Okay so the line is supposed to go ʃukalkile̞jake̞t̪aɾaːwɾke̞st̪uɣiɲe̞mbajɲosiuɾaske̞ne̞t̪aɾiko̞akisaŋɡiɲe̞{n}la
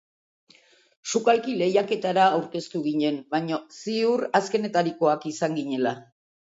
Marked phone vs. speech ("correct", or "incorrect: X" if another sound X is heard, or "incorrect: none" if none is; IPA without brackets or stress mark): incorrect: none